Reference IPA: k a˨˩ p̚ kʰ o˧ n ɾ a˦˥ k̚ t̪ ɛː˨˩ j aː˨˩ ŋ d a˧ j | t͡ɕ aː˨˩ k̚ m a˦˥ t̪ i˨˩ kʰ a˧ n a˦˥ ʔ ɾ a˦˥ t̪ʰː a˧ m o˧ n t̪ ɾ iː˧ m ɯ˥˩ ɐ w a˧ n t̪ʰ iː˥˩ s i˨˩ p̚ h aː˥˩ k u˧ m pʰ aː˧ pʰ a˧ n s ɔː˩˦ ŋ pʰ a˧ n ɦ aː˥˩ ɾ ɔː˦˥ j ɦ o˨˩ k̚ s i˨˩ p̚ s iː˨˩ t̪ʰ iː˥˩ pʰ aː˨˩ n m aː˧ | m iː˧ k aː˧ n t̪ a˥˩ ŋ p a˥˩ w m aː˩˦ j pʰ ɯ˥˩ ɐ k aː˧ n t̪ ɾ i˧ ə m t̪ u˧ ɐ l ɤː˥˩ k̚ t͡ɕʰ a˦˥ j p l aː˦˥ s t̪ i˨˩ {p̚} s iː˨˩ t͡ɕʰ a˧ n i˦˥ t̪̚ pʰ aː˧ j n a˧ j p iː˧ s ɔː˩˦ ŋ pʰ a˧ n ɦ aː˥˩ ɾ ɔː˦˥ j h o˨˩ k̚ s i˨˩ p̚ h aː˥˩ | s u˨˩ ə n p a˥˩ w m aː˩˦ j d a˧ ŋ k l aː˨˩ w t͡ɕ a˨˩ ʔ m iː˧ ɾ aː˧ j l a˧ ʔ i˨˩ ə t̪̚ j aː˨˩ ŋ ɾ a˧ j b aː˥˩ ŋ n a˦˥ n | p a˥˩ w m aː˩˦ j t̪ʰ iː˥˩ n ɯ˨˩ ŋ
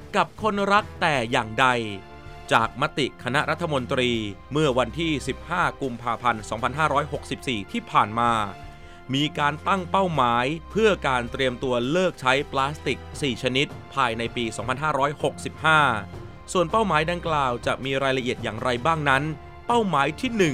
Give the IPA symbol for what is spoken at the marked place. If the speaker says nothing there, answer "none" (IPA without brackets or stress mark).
k̚